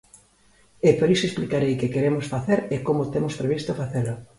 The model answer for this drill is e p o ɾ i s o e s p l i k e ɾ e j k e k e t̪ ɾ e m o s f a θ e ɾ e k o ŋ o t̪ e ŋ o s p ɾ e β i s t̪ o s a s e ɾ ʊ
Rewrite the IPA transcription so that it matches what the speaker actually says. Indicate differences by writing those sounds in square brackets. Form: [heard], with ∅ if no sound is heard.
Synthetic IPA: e p o ɾ i s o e s p l i k [a] ɾ e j k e k e [∅] ɾ e m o s f a θ e ɾ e k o [m] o t̪ e [m] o s p ɾ e β i s t̪ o [f] a [θ] e [l] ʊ